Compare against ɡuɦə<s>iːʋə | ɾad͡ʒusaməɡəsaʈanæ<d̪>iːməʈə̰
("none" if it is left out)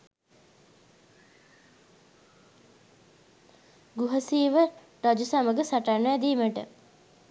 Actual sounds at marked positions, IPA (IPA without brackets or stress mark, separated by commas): s, d̪